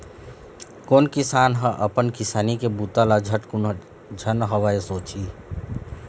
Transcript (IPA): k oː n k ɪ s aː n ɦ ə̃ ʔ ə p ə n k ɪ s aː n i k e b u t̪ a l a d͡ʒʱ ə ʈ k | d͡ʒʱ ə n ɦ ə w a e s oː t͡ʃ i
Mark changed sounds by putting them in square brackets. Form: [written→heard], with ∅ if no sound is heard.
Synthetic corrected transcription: k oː n k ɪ s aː n ɦ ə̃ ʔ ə p ə n k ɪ s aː n i k e b u t̪ a l a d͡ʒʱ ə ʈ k | d͡ʒʱ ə n ɦ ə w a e s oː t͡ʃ i